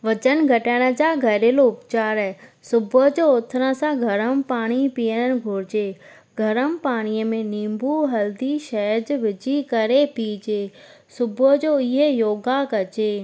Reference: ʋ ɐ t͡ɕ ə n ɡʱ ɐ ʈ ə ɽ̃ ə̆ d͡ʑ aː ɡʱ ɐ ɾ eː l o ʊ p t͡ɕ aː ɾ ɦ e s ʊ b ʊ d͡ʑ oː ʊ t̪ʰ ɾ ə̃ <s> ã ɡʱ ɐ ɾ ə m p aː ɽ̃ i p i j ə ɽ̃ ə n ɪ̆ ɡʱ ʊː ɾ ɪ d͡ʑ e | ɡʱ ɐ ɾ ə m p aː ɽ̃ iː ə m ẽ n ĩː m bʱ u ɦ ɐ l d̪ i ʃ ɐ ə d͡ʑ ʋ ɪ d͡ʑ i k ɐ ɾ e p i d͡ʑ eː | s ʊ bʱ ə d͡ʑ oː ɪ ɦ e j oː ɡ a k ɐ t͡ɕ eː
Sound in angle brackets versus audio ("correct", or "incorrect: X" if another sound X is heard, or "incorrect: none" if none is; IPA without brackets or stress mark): correct